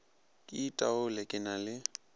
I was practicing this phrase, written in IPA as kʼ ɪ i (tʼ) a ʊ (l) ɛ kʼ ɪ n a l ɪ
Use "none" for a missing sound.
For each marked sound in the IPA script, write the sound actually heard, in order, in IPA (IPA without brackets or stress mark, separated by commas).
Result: tʼ, l